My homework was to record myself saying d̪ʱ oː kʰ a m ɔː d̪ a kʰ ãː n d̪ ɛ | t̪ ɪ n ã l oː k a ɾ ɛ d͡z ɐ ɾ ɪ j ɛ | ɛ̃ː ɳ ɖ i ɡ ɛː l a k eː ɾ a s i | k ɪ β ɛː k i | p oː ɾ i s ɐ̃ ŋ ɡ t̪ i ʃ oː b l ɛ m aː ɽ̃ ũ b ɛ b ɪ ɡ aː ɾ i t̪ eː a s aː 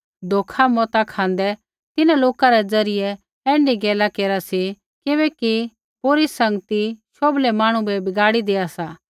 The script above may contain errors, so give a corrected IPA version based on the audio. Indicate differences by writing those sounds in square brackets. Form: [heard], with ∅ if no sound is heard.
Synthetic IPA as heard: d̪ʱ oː kʰ a m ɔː [t̪] a kʰ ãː n d̪ ɛ | t̪ ɪ n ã l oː k a ɾ ɛ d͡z ɐ ɾ ɪ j ɛ | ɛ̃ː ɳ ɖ i ɡ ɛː l a k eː ɾ a s i | k ɪ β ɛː k i | p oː ɾ i s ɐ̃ ŋ ɡ t̪ i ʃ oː b l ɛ m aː ɽ̃ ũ b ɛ b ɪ ɡ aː [ɽ] i [d̪] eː a s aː